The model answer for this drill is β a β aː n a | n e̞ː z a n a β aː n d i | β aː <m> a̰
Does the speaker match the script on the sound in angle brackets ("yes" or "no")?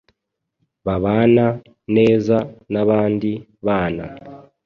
no